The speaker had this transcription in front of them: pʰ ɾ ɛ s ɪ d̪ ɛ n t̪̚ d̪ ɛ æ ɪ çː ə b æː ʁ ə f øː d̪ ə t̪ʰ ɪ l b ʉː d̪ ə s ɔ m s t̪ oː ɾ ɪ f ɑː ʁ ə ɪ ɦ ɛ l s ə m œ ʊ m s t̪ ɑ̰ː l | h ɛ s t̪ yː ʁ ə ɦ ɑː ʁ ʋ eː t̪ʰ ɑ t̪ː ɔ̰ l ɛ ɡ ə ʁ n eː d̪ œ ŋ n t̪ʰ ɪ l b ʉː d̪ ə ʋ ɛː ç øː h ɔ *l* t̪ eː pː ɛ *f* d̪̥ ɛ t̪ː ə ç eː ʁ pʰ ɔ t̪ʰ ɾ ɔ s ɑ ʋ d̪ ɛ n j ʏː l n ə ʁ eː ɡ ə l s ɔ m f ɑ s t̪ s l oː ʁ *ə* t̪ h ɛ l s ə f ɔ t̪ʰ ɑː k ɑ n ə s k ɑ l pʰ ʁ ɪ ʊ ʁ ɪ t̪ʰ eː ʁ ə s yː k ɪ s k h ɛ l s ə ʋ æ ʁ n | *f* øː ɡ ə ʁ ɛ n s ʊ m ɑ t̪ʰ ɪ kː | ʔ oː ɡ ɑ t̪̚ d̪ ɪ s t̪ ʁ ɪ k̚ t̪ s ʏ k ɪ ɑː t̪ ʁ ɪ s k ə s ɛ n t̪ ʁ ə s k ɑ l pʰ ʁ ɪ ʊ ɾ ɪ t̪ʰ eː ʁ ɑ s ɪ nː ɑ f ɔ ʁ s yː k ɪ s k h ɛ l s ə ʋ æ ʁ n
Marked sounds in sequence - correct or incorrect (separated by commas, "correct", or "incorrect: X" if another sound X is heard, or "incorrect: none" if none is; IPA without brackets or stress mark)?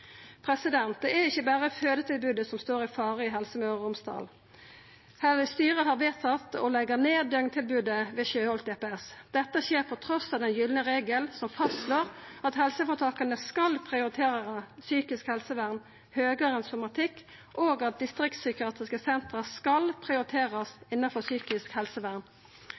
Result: correct, incorrect: s, incorrect: ɑ, incorrect: h